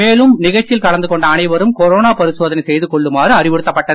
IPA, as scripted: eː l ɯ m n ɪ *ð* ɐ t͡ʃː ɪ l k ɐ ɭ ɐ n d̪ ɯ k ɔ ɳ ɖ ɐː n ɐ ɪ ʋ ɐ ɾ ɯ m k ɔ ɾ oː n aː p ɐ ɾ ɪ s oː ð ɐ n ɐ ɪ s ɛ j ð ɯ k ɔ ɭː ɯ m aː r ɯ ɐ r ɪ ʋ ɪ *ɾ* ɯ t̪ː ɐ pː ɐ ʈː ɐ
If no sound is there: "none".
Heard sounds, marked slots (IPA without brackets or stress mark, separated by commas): ɣ, ɽ